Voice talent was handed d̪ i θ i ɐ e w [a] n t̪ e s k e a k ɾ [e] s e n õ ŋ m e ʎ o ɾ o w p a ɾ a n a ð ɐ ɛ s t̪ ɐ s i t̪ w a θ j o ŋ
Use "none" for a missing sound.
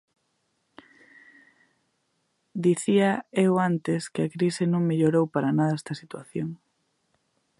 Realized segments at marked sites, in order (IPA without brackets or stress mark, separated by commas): a, i